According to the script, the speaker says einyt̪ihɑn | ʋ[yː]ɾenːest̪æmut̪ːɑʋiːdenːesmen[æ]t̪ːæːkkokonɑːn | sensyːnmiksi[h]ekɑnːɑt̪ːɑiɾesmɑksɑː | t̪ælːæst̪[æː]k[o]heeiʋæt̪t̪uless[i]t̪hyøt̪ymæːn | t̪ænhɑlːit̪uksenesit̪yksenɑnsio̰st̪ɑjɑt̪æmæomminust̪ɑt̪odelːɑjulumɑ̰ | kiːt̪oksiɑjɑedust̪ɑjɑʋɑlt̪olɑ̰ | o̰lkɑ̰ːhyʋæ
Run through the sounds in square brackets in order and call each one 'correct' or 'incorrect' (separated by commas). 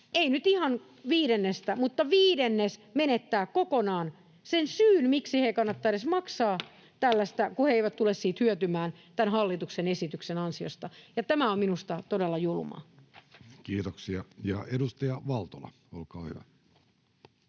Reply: incorrect, incorrect, correct, incorrect, incorrect, incorrect